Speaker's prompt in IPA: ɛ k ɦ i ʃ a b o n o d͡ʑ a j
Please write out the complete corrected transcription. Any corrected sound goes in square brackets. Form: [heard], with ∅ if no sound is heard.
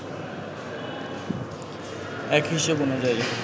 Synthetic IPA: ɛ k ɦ i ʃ [e] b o n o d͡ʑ a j

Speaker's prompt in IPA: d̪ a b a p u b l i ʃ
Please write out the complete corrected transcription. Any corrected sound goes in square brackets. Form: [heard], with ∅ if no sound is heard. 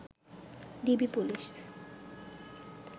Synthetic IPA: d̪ [i] b [i] p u [∅] l i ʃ

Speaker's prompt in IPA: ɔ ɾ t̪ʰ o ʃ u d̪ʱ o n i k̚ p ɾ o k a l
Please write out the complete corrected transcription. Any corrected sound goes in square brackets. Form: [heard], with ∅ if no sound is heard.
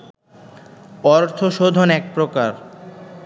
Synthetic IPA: ɔ ɾ t̪ʰ o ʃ [o] d̪ʱ o n [ɛ] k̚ p ɾ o k a [ɾ]

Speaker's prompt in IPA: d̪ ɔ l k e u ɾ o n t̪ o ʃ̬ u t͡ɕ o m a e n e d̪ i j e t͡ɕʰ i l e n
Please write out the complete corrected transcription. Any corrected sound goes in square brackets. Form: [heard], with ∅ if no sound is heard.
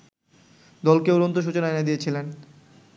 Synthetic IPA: d̪ ɔ l k e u ɾ o n t̪ o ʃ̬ u t͡ɕ o [n] a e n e d̪ i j e t͡ɕʰ i l e n

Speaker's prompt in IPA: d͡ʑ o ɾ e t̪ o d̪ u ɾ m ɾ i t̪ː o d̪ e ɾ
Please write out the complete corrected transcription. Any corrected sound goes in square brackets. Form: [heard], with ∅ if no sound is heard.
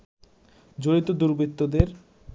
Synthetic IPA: d͡ʑ o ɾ [i] t̪ o d̪ u ɾ [b] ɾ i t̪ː o d̪ e ɾ

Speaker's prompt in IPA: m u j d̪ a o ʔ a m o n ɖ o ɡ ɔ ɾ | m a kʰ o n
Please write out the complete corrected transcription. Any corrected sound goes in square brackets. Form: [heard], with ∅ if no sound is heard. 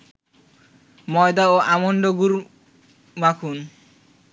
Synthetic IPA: m [ɔ] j d̪ a o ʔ a m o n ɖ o ɡ [u] ɾ | m a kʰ [u] n

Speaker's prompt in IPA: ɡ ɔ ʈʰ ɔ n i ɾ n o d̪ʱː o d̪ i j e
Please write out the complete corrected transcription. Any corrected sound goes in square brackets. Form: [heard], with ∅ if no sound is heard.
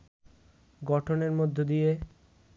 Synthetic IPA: ɡ ɔ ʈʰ [o] n [e] ɾ [m] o d̪ʱː o d̪ i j e

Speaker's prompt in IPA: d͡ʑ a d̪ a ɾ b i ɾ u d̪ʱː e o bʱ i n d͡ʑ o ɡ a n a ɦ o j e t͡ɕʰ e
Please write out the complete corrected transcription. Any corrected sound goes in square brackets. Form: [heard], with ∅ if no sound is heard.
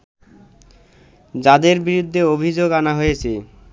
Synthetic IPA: d͡ʑ a d̪ [e] ɾ b i ɾ u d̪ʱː e o bʱ i [∅] d͡ʑ o ɡ a n a ɦ o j e t͡ɕʰ e

